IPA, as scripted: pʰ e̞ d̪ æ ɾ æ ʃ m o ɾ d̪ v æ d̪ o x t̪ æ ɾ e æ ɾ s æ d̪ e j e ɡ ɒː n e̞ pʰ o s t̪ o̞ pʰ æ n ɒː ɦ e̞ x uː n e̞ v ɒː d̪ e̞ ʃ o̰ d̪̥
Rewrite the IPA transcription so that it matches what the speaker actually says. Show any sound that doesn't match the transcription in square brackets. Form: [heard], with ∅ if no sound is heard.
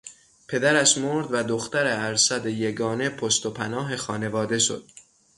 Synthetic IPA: pʰ e̞ d̪ æ ɾ æ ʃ m o ɾ d̪ v æ d̪ o x t̪ æ ɾ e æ ɾ s æ d̪ e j e ɡ ɒː n e̞ pʰ o s t̪ o̞ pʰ æ n ɒː ɦ e̞ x [ɒː] n e̞ v ɒː d̪ e̞ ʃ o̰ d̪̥